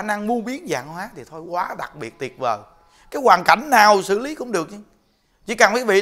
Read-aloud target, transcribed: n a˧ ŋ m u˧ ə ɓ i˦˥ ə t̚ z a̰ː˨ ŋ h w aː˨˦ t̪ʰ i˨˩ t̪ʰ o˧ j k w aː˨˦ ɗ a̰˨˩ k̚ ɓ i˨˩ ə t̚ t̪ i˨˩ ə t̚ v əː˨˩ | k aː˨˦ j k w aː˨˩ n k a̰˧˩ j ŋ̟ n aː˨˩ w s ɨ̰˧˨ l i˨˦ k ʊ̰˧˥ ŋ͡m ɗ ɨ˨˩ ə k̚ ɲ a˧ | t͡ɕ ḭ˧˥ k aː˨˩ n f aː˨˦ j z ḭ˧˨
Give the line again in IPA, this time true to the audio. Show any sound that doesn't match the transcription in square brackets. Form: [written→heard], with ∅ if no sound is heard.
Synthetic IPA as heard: n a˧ ŋ m u˧ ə ɓ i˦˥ ə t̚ z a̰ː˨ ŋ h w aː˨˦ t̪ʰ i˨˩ t̪ʰ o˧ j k w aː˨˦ ɗ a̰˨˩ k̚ ɓ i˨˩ ə t̚ t̪ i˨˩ ə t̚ v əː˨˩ | k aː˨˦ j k w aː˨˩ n k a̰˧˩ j ŋ̟ n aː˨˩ w s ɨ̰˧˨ l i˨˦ k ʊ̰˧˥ ŋ͡m ɗ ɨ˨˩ ə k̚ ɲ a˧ | t͡ɕ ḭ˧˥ k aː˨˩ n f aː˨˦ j [z→v] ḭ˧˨